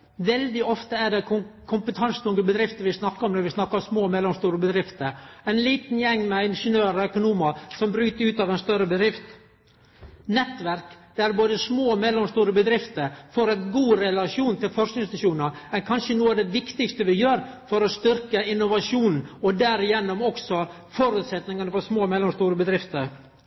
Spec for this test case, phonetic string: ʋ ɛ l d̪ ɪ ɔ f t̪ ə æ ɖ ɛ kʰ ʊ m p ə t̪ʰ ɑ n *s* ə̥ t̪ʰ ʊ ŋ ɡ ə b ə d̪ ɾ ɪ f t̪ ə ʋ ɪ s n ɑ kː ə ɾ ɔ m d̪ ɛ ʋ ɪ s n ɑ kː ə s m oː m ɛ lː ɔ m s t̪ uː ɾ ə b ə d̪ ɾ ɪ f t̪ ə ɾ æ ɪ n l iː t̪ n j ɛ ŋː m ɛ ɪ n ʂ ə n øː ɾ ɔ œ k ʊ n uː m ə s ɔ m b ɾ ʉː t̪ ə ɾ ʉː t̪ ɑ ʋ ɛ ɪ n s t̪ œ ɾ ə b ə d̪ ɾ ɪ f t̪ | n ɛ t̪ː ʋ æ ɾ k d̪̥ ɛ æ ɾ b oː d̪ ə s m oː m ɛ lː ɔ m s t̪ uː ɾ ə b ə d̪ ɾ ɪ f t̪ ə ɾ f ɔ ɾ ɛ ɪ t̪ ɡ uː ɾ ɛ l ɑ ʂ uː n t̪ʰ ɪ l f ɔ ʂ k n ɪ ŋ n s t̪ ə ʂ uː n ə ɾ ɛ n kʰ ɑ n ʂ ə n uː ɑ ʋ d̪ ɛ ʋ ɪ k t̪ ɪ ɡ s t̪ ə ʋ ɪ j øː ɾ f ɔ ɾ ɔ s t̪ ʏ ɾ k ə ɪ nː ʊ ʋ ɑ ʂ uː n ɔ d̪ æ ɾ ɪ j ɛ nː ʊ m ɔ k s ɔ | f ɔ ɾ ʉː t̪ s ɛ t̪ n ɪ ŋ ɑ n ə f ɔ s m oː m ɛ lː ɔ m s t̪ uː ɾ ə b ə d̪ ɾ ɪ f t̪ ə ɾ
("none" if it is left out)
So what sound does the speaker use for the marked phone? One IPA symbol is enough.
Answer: s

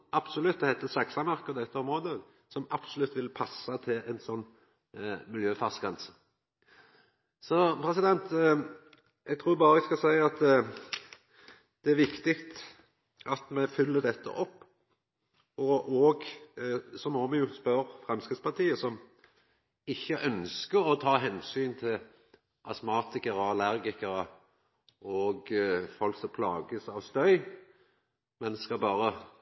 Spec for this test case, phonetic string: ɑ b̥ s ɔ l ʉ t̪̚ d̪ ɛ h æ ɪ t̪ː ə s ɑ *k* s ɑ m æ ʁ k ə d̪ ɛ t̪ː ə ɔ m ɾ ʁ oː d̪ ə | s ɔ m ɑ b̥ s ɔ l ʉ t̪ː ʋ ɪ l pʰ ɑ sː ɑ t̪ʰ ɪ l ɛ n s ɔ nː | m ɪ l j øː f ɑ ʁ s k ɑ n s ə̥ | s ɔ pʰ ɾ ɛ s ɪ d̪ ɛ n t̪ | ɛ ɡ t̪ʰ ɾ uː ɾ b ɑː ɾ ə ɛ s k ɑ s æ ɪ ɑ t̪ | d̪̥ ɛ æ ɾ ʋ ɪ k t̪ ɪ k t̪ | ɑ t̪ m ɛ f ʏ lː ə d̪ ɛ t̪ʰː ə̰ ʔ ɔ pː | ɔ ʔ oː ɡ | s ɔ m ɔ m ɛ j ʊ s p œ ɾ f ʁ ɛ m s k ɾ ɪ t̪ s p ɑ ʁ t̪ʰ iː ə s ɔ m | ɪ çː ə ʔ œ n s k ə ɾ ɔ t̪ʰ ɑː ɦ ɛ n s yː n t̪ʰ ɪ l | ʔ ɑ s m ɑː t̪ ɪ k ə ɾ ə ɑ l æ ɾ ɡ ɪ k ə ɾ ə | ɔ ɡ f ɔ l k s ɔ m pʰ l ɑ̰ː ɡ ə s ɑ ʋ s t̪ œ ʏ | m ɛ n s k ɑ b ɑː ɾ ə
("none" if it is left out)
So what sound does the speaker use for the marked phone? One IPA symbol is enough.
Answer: k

